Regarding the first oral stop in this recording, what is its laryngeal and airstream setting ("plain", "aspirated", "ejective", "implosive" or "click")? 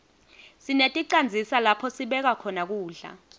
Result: ejective